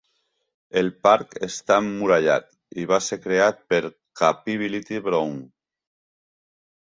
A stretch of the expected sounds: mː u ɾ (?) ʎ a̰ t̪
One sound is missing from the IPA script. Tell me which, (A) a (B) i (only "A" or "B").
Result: A